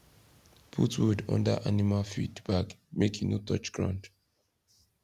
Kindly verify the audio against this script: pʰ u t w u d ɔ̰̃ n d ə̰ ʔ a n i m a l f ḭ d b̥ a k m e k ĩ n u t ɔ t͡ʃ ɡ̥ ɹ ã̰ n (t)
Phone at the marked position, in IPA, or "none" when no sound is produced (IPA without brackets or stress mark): d